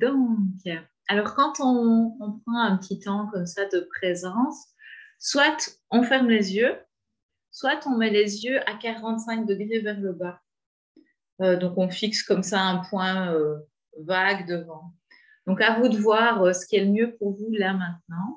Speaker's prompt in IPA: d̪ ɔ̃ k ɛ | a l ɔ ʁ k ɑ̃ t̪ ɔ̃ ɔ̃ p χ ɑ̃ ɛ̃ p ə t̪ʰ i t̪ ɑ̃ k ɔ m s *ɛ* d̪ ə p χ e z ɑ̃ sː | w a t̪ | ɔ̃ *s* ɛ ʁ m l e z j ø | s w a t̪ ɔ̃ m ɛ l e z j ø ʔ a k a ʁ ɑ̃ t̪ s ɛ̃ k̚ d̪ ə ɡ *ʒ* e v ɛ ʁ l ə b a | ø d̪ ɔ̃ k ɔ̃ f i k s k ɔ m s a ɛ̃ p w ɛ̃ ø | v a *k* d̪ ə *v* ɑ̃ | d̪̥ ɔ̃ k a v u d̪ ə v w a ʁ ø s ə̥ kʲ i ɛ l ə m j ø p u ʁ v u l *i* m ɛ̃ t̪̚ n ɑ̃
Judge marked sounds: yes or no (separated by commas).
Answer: no, no, no, no, yes, no